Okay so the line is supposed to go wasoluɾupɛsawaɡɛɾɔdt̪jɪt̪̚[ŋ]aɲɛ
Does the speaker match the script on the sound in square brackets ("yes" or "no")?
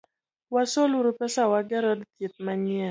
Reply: no